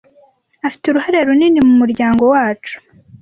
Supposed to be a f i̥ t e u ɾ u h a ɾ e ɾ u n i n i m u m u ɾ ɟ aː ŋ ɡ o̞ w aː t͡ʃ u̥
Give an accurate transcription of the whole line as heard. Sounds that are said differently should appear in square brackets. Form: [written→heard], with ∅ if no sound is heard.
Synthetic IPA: a f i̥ t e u ɾ u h a ɾ e ɾ u n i n i m u m u ɾ ɟ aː ŋ ɡ o̞ w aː t͡ʃ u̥